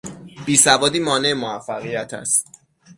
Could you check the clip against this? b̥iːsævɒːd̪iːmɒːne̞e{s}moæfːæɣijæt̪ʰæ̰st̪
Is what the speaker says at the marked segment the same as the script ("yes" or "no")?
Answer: no